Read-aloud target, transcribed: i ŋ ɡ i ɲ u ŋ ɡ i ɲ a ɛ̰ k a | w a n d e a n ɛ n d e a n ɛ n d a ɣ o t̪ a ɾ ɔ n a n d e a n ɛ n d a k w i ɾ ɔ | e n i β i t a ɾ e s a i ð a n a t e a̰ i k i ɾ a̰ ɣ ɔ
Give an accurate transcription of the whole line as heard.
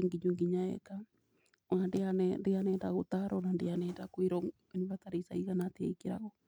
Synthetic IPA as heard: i ŋ ɡ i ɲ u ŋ ɡ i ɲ a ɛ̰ k a | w a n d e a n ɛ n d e a n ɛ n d a ɣ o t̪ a ɾ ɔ n a n d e a n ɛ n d a k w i ɾ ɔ | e n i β a t a ɾ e s a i ɣ a n a t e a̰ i k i ɾ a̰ ɣ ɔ